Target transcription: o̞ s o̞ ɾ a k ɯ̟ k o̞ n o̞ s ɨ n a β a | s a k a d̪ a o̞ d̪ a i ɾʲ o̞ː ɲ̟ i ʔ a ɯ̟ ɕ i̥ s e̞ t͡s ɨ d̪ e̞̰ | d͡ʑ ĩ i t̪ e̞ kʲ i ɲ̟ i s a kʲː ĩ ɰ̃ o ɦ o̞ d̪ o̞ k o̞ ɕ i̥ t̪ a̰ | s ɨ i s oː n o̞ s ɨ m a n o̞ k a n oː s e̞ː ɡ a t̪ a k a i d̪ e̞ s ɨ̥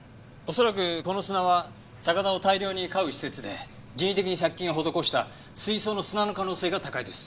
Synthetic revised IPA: o̞ s o̞ ɾ a k ɯ̟ k o̞ n o̞ s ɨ n a β a | s a k a d̪ a o̞ t̪ a i ɾʲ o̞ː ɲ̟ i k a ɯ̟ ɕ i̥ s e̞ t͡s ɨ d̪ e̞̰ | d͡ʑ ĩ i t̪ e̞ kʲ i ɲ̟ i s a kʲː ĩ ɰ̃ o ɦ o̞ d̪ o̞ k o̞ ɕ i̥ t̪ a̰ | s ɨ i s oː n o̞ s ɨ n a n o̞ k a n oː s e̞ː ɡ a t̪ a k a i d̪ e̞ s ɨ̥